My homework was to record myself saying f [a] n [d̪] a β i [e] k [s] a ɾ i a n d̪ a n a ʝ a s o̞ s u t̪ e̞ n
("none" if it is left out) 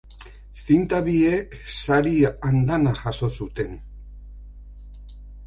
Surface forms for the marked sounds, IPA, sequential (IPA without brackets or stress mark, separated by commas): i, t̪, e, s